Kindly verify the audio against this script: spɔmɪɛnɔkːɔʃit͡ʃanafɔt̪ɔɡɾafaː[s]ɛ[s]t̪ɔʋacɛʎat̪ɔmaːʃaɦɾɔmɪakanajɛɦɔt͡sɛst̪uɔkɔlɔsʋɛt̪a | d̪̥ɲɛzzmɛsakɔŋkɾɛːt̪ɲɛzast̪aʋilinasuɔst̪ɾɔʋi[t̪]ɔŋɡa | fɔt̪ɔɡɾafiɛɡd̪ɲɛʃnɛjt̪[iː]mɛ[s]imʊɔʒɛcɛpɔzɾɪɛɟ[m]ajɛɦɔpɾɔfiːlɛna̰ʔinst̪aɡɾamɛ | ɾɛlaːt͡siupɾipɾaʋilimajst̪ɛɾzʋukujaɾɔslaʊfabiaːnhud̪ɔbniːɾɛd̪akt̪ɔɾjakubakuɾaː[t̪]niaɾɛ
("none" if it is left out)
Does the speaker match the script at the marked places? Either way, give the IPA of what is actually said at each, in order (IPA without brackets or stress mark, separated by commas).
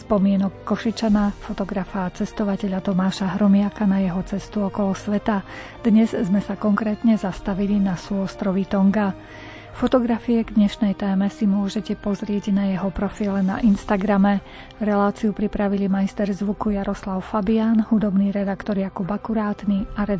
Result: t͡s, s, t̪, ɛː, s, n, t̪